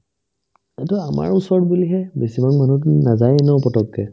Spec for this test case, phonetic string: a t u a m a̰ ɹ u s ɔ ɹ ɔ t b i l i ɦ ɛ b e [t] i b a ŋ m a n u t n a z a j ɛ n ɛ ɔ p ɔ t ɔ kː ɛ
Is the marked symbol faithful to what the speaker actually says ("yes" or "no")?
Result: no